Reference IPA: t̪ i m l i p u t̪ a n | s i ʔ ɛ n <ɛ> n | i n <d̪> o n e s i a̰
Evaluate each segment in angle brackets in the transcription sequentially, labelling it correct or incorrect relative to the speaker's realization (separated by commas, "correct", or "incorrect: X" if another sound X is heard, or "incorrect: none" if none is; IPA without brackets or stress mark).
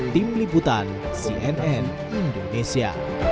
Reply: correct, correct